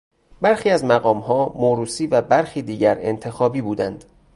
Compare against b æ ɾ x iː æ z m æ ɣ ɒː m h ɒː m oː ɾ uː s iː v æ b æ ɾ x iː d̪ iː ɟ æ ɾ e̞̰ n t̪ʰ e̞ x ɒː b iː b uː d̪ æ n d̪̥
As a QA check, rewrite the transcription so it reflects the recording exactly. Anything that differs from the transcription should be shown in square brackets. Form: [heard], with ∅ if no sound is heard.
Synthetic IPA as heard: b æ ɾ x iː æ z m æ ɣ ɒː m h ɒː m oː ɾ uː s iː v æ b æ ɾ x iː d̪ iː ɟ æ ɾ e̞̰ n t̪ʰ e̞ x ɒː b iː b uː d̪ æ n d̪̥